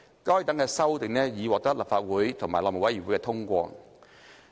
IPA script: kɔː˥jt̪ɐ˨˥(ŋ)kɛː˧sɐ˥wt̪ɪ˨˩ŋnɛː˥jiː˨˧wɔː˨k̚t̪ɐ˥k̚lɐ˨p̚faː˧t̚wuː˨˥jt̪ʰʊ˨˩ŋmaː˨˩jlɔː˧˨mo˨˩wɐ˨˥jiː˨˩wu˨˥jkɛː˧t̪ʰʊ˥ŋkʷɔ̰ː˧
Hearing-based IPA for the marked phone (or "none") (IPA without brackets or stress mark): ŋ